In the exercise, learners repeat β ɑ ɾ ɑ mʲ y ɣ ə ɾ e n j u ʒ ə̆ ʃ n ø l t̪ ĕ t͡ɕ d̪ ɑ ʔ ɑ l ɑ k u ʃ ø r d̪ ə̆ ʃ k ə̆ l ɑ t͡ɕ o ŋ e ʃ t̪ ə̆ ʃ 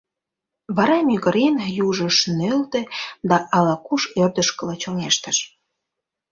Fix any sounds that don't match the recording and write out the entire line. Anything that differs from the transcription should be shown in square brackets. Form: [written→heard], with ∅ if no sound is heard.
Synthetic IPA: β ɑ ɾ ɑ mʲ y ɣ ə ɾ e n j u ʒ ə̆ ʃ n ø l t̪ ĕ [t͡ɕ→∅] d̪ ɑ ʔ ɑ l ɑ k u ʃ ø r d̪ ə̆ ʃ k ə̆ l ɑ t͡ɕ o ŋ e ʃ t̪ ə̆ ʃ